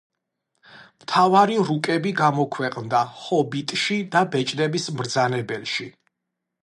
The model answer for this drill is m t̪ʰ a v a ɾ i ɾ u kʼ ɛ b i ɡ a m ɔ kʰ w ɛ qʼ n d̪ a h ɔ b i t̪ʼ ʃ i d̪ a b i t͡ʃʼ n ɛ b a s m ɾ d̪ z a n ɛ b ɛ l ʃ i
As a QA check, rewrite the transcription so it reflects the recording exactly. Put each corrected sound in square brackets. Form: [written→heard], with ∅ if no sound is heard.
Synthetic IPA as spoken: m t̪ʰ a v a ɾ i ɾ u kʼ ɛ b i ɡ a m ɔ kʰ w ɛ qʼ n d̪ a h ɔ b i t̪ʼ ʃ i d̪ a b [i→ɛ] t͡ʃʼ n ɛ b [a→i] s m ɾ d̪ z a n ɛ b ɛ l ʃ i